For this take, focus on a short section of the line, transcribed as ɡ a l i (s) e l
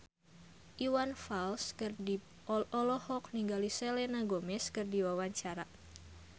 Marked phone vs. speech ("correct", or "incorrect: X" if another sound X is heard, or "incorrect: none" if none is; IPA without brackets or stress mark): correct